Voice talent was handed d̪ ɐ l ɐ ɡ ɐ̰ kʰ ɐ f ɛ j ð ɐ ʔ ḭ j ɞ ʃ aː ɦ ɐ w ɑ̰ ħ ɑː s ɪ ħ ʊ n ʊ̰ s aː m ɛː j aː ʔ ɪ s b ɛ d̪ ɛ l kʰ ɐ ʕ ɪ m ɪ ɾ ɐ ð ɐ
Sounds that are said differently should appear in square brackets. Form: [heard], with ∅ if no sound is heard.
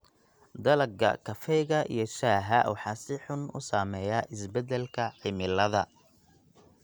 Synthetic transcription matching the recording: d̪ ɐ l ɐ ɡ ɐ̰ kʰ ɐ f ɛ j [ɣ] ɐ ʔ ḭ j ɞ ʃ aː ɦ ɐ w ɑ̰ ħ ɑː s ɪ ħ ʊ n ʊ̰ s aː m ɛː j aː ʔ ɪ s b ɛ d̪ ɛ l kʰ ɐ ʕ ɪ m ɪ [l] ɐ ð ɐ